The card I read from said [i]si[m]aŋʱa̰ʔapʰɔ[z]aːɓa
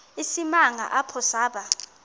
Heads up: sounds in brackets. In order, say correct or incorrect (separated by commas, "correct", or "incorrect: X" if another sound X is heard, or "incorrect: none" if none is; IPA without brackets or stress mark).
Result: correct, correct, incorrect: s